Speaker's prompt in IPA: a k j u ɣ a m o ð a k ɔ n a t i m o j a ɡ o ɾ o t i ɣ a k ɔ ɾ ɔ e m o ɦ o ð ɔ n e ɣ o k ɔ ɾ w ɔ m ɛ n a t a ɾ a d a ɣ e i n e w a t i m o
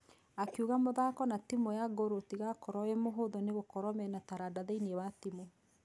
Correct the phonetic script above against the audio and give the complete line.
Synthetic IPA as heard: a k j u ɣ a m o ð a k ɔ n a t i m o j a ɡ o ɾ o t i ɣ a k ɔ ɾ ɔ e m o ɦ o ð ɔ n e ɣ o k ɔ ɾ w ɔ m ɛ n a t a ɾ a d a ð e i n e w a t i m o